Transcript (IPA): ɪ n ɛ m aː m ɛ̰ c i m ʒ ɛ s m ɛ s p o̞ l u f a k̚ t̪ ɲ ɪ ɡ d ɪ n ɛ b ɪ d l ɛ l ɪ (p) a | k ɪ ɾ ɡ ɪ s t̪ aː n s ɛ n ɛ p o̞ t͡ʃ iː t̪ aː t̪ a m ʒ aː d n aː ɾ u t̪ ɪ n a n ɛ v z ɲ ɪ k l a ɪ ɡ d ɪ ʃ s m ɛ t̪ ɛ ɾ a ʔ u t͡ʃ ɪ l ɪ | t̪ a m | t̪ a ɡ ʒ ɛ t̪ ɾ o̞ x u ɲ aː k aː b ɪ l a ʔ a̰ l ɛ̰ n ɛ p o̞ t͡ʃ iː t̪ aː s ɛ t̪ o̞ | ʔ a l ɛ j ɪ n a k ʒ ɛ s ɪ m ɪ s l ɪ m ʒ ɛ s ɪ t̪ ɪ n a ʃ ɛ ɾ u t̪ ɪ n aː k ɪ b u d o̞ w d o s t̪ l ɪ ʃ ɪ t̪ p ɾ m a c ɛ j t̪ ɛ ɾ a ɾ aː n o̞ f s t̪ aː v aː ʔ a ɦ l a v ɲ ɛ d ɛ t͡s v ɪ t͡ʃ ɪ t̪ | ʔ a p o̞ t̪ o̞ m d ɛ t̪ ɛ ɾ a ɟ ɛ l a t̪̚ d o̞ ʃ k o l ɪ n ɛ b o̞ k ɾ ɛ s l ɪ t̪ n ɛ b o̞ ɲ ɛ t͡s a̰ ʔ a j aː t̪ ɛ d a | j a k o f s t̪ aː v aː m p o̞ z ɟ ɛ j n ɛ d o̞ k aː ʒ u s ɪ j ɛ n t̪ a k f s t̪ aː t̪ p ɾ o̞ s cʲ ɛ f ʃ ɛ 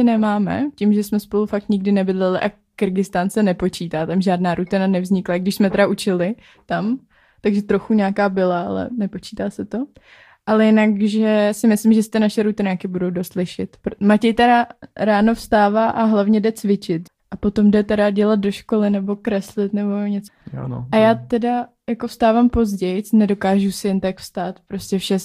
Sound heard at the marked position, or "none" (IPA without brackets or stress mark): ʔ